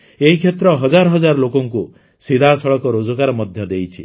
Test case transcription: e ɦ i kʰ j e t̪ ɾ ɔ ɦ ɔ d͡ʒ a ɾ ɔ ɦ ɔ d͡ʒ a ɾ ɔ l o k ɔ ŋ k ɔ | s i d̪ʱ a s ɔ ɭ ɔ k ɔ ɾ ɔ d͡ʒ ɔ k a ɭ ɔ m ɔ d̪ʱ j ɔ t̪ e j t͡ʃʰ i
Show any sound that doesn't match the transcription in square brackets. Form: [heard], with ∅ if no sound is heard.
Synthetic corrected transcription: e ɦ i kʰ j e t̪ ɾ ɔ ɦ ɔ d͡ʒ a ɾ ɔ ɦ ɔ d͡ʒ a ɾ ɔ l o k ɔ ŋ k [u] | s i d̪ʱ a s ɔ ɭ ɔ k ɔ ɾ [o] d͡ʒ ɔ k a [ɾ] ɔ m ɔ d̪ʱ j ɔ [d̪] e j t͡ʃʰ i